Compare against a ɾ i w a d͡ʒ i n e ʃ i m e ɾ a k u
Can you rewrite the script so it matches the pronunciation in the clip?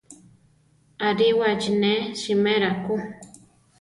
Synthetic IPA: a ɾ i w a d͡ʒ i n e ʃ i m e ɾ a k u